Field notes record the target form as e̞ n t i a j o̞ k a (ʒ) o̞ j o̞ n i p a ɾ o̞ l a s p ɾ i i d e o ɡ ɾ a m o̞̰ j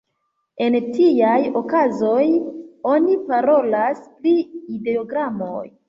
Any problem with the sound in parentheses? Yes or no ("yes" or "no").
yes